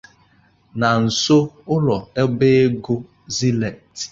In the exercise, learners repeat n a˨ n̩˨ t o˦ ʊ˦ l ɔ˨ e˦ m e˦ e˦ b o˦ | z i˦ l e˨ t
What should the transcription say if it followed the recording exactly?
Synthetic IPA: n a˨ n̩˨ s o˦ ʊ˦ l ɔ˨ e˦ b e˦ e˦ ɡ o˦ | z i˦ l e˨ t